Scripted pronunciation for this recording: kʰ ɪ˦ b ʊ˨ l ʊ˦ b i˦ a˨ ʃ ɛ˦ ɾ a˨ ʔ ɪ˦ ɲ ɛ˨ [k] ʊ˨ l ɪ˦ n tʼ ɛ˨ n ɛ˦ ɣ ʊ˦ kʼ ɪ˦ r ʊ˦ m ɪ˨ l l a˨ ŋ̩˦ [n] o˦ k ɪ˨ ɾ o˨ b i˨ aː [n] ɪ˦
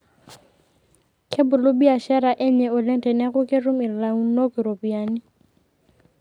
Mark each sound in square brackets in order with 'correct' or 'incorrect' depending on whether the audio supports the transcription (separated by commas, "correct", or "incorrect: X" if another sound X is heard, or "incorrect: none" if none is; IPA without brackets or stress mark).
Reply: incorrect: none, correct, correct